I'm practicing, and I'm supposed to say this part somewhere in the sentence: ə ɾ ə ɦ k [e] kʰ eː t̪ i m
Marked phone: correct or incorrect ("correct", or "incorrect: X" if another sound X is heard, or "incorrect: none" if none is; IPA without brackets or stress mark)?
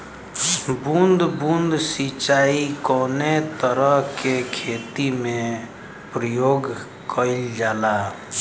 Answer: correct